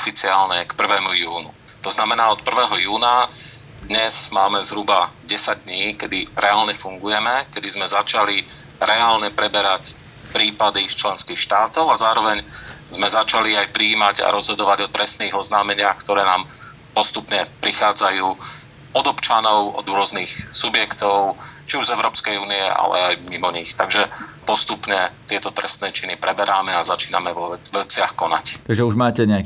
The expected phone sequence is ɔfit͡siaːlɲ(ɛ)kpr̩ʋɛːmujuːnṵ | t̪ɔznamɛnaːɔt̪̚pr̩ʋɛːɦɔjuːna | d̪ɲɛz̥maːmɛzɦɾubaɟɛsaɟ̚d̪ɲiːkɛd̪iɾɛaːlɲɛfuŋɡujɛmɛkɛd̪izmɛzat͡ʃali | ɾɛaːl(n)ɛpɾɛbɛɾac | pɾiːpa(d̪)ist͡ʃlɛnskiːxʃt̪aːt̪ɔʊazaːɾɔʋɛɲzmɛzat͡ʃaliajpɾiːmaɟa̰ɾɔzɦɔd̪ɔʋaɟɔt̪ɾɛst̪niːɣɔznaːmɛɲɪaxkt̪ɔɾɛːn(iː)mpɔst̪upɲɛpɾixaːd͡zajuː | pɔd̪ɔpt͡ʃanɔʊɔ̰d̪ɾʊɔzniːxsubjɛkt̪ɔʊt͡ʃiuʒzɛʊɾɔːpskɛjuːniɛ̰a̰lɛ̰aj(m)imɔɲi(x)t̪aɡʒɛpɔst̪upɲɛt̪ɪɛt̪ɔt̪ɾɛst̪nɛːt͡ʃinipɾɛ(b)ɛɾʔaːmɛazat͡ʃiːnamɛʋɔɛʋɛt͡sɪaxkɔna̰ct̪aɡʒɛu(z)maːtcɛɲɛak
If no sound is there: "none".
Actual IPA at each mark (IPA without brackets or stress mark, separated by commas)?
ɛ, ɲ, d̪, aː, m, x, b, ʒ